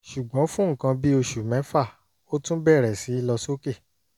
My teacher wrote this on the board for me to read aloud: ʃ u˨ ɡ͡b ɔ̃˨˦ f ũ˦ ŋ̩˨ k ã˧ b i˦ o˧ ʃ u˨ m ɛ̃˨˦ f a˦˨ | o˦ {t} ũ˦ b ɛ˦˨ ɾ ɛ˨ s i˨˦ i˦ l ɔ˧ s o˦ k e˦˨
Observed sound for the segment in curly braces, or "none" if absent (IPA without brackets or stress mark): t